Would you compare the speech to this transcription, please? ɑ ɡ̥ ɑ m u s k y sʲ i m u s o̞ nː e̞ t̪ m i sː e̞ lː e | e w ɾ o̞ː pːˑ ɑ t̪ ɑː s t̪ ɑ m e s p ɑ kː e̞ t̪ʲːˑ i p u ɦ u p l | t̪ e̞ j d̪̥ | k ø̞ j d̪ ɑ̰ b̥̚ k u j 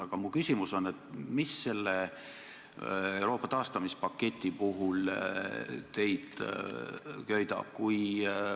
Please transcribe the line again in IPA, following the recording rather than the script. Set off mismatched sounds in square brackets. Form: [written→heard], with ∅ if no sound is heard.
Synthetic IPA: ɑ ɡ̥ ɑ m u [s→∅] k y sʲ i m u s o̞ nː e̞ t̪ m i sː e̞ lː e | e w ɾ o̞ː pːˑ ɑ t̪ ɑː s t̪ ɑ m [e→i] s p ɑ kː e̞ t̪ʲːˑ i p u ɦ u [p→∅] l | t̪ e̞ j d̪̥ | k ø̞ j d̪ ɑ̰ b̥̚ k u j

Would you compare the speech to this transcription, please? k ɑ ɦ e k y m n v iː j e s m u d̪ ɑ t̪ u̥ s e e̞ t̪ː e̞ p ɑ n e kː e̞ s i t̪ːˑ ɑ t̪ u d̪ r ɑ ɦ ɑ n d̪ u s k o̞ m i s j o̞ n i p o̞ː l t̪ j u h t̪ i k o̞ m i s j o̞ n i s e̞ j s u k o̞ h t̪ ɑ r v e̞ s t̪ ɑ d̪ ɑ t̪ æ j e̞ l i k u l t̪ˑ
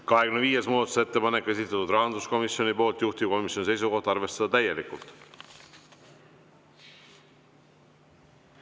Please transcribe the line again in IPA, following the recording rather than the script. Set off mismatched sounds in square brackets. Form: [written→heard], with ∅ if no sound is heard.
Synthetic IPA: k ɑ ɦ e k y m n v iː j e s m [u→uː] d̪ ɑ t̪ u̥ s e e̞ t̪ː e̞ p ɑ n e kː e̞ s i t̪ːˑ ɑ t̪ u d̪ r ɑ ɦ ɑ n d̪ u s k o̞ m i s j o̞ n i p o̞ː l t̪ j u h t̪ i k o̞ m i s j o̞ n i s e̞ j s u k o̞ h t̪ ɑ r v e̞ s t̪ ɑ d̪ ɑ t̪ æ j e̞ l i k u l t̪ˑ

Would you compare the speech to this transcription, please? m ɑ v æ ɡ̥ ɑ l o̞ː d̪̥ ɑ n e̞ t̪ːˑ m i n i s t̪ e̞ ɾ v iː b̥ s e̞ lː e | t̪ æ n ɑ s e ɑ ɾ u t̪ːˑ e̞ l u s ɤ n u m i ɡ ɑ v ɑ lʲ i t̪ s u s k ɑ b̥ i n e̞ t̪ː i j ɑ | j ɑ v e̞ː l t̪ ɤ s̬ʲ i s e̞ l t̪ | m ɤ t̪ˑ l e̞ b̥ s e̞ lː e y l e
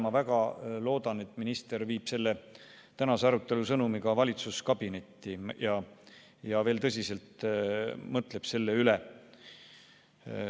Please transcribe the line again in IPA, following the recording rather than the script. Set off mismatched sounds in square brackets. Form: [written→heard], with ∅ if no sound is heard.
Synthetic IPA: m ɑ v æ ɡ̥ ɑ l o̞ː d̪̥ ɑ n e̞ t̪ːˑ m i n i s t̪ e̞ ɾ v iː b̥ s e̞ lː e | t̪ æ n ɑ s e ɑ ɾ u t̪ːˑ e̞ l u s ɤ n u m i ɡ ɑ v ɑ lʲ i t̪ s u s k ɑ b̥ i n e̞ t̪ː i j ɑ | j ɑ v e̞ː l t̪ ɤ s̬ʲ i s e̞ l t̪ | m ɤ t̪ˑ l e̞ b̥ s e̞ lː e y l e

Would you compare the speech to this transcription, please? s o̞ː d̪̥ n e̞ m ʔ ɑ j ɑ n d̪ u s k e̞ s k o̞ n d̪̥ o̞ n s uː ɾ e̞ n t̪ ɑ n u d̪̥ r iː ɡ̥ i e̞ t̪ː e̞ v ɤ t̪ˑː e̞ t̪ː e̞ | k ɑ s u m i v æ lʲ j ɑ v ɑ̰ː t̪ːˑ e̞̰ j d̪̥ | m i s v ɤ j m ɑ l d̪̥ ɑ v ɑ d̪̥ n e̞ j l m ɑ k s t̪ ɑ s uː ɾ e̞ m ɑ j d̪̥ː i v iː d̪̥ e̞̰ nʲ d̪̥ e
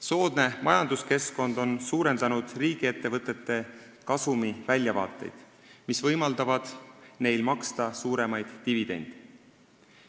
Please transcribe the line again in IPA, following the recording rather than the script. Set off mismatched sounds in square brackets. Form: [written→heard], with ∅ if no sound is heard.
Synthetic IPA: s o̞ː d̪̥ n e̞ m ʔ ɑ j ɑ n d̪ u s k e̞ s k o̞ n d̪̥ o̞ n s uː ɾ e̞ n [t̪→d̪] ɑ n u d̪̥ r iː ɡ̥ i e̞ t̪ː e̞ v ɤ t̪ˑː e̞ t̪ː e̞ | k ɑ s u m i v æ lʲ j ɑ v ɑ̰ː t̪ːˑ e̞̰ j d̪̥ | m i s v ɤ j m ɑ l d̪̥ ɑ v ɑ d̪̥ n e̞ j l m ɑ k s t̪ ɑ s uː ɾ e̞ m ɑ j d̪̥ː i v [iː→i] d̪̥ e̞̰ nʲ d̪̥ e

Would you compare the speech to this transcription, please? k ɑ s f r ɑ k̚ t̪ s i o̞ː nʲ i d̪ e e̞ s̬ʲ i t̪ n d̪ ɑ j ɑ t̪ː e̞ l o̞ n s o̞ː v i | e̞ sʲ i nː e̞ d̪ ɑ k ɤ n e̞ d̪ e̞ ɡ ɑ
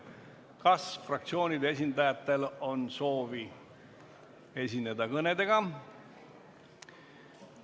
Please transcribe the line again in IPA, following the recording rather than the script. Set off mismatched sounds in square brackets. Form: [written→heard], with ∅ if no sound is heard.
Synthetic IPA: k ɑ s f r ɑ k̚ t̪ s i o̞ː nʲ i d̪ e e̞ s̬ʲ i [t̪→∅] n d̪ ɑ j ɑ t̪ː e̞ l o̞ n s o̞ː v i | e̞ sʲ i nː e̞ d̪ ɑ k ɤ n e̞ d̪ e̞ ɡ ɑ

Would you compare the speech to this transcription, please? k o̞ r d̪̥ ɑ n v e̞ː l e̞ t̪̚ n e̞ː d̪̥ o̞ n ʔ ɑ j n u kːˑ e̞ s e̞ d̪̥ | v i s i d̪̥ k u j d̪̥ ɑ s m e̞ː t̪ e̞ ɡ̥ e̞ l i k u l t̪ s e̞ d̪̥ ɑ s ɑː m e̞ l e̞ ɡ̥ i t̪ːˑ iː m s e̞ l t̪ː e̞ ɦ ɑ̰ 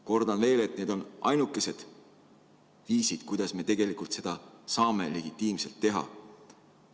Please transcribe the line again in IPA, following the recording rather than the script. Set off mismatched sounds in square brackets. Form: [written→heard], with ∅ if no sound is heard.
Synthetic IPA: k o̞ r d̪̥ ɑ n v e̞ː l e̞ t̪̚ n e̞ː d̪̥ o̞ n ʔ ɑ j n u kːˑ e̞ s e̞ d̪̥ | v [i→iː] s i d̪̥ k u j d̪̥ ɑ s m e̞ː t̪ e̞ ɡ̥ e̞ l i k u l t̪ s e̞ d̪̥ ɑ s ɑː m e̞ l e̞ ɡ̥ i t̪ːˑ iː m s e̞ l t̪ː e̞ ɦ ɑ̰

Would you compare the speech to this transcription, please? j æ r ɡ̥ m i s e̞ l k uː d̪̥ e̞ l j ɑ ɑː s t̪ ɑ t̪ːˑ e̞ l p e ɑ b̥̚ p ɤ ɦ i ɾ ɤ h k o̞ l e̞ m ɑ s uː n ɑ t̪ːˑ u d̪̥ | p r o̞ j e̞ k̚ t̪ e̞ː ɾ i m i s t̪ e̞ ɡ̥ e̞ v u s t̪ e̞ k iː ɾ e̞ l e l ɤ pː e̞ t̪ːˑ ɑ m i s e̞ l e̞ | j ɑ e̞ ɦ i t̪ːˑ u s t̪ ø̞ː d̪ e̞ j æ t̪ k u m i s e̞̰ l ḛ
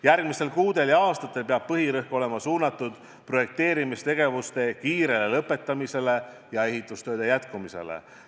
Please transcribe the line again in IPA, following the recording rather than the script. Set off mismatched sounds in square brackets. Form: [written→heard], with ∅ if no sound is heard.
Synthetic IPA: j æ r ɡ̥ m i s e̞ l k uː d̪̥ e̞ l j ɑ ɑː s t̪ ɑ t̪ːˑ e̞ l p e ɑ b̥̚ p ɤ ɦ i ɾ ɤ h k o̞ l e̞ m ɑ s uː n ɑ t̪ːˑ u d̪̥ | p r o̞ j e̞ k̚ t̪ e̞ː ɾ i m i s t̪ e̞ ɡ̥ e̞ v u s t̪ e̞ k iː ɾ e̞ l e l ɤ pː e̞ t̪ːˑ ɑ m i s e̞ l e̞ | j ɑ e̞ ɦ i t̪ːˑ u s t̪ ø̞ː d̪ e̞ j æ t̪ k u m i s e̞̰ l ḛ

